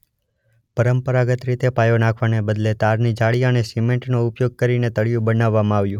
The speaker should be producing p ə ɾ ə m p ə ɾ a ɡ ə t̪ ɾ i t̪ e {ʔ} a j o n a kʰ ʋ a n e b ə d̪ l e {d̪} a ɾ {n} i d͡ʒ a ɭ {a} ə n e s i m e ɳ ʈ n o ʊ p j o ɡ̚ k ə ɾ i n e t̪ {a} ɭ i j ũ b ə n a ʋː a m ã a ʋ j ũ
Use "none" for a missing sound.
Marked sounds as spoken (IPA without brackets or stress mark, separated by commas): p, t̪, n, i, ə